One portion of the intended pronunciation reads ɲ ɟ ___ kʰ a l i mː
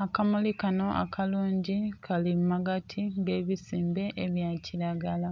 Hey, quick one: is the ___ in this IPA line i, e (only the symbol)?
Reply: i